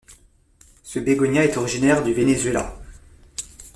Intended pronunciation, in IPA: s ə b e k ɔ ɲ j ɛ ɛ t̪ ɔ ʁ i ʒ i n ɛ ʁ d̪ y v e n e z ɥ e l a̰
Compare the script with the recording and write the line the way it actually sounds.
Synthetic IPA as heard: s ə b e ɡ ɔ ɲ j a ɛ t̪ ɔ ʁ i ʒ i n ɛ ʁ d̪ y v e n e z ɥ e l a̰